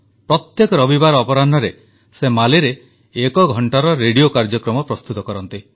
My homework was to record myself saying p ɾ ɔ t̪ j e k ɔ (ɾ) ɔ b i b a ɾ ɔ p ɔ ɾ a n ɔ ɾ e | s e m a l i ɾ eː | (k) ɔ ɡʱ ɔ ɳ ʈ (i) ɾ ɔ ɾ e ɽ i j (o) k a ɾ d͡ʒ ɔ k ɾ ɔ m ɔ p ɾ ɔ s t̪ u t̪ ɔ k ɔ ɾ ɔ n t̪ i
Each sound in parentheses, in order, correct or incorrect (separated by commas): correct, correct, incorrect, correct